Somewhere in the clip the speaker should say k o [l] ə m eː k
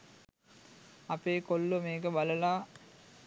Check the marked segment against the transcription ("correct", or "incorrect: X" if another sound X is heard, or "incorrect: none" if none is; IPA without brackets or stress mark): incorrect: lː